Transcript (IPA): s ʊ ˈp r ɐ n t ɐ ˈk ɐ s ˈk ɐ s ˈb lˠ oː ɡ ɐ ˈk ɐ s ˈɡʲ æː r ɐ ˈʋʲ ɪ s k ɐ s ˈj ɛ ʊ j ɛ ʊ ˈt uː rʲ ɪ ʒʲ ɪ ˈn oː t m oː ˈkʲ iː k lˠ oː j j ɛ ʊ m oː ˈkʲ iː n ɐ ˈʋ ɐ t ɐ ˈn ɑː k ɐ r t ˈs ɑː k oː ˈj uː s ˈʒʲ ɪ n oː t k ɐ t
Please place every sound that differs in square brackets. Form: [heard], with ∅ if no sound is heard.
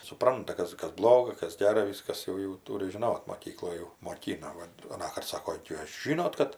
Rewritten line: s ʊ ˈp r ɐ n t ɐ ˈk ɐ s ˈk ɐ s ˈb lˠ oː ɡ ɐ ˈk ɐ s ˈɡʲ æː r ɐ ˈʋʲ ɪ s k ɐ s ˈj ɛ ʊ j ɛ ʊ ˈt uː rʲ ɪ ʒʲ ɪ ˈn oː t m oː ˈkʲ iː k lˠ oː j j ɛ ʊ m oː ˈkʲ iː n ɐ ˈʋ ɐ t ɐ ˈn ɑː k ɐ r t ˈs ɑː k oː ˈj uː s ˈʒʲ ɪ n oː t k ɐ t